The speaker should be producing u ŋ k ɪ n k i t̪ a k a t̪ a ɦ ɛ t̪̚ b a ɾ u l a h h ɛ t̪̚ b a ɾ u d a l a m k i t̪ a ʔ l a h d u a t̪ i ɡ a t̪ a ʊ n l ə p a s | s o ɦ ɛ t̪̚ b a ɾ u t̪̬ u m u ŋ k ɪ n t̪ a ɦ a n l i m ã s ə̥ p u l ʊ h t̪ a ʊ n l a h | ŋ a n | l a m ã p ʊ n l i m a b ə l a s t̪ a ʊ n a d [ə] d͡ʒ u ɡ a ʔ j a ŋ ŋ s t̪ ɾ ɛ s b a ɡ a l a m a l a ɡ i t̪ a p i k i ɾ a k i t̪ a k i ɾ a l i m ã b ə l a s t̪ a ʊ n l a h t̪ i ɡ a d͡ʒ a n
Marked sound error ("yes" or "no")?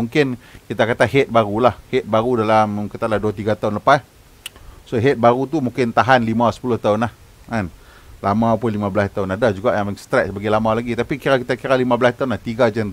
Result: yes